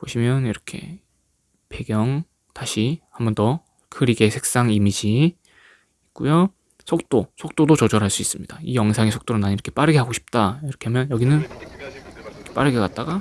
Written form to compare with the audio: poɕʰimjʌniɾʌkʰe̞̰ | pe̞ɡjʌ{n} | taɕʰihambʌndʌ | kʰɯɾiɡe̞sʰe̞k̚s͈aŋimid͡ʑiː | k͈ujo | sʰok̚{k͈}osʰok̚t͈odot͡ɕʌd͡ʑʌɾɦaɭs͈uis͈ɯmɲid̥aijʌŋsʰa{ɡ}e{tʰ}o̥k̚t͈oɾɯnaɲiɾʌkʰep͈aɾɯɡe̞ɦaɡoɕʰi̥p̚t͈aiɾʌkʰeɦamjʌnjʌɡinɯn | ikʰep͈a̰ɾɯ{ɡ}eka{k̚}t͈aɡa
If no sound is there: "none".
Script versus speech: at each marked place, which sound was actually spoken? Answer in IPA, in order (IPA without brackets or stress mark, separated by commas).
ŋ, t͈, ŋ, sʰ, ɡ, t̚